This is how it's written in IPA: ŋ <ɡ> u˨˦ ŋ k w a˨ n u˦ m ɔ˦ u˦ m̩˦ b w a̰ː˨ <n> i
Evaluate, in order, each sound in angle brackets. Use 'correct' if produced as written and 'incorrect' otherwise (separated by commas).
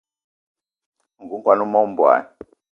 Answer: correct, correct